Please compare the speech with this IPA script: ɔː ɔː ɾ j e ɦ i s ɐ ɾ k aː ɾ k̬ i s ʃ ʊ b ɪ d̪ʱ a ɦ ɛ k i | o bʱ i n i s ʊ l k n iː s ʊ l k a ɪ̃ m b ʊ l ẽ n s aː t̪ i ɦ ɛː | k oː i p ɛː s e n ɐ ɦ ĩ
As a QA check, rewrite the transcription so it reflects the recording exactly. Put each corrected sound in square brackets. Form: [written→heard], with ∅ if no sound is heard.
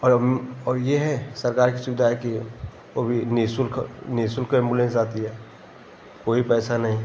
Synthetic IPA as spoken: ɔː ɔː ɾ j e ɦ [i→ɛ] s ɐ ɾ k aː ɾ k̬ i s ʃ ʊ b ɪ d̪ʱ a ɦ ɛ k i | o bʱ i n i s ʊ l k n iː s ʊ l k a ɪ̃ m b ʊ l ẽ n s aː t̪ i ɦ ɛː | k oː i p ɛː s [e→a] n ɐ ɦ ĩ

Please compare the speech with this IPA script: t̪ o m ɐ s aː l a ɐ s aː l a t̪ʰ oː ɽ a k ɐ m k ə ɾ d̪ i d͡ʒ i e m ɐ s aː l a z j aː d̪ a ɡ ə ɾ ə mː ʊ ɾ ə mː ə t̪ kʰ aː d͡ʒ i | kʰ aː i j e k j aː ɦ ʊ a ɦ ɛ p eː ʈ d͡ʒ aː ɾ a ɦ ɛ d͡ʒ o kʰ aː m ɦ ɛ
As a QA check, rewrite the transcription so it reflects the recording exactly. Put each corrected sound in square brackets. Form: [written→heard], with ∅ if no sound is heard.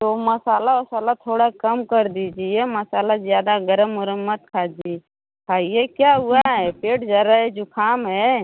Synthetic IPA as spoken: t̪ o m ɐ s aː l a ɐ s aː l a t̪ʰ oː ɽ a k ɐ m k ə ɾ d̪ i d͡ʒ i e m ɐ s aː l a z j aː d̪ a ɡ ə ɾ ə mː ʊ ɾ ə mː ə t̪ kʰ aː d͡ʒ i | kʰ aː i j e k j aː ɦ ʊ a ɦ ɛ p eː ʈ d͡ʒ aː ɾ a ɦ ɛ d͡ʒ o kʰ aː m ɦ ɛ

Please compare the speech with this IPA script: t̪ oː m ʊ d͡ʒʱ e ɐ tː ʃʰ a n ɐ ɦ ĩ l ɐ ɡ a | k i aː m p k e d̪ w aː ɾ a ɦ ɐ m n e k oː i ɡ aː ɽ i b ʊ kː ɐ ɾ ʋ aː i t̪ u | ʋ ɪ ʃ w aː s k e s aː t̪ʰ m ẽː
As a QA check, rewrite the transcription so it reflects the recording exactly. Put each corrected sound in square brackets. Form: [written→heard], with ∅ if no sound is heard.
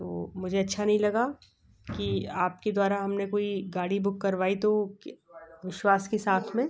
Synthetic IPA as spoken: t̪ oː m ʊ d͡ʒʱ e ɐ tː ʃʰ a n ɐ ɦ ĩ l ɐ ɡ a | k i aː [m→∅] p k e d̪ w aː ɾ a ɦ ɐ m n e k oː i ɡ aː ɽ i b ʊ kː ɐ ɾ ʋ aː i t̪ [u→o] | ʋ ɪ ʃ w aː s k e s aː t̪ʰ m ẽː

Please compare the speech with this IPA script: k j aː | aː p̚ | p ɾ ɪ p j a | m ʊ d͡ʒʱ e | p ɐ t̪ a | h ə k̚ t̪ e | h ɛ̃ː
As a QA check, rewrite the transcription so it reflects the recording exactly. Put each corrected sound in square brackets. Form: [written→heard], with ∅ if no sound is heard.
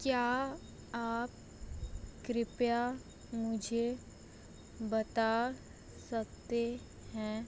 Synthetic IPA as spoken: k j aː | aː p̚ | [p→k] ɾ ɪ p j a | m ʊ d͡ʒʱ e | [p→b] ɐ t̪ a | [h→s] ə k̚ t̪ e | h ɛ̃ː

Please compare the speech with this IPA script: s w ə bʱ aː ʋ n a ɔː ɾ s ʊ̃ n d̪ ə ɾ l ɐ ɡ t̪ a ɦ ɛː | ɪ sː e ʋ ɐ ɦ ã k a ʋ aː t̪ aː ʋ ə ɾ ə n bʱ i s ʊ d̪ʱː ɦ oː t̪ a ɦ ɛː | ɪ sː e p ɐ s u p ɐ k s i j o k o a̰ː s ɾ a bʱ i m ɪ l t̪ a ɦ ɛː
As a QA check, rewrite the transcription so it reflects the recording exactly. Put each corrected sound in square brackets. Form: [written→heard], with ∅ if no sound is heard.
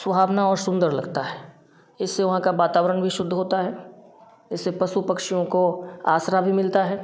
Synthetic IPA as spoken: s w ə bʱ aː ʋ n a ɔː ɾ s ʊ̃ n d̪ ə ɾ l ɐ ɡ t̪ a ɦ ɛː | ɪ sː e ʋ ɐ ɦ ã k a ʋ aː t̪ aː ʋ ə ɾ ə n bʱ i [s→ʃ] ʊ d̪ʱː ɦ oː t̪ a ɦ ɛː | ɪ sː e p ɐ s u p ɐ k [s→ʃ] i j [o→õ] k o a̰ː s ɾ a bʱ i m ɪ l t̪ a ɦ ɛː

